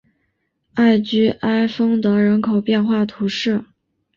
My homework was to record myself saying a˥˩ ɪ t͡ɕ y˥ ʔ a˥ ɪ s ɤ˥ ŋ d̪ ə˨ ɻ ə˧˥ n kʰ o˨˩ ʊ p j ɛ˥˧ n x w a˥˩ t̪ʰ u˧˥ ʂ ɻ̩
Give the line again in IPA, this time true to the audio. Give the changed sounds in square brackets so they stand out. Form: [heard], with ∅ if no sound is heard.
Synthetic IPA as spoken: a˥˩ ɪ t͡ɕ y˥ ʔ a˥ ɪ [f] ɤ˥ ŋ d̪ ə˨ ɻ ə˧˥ n kʰ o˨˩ ʊ p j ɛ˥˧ n x w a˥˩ t̪ʰ u˧˥ ʂ ɻ̩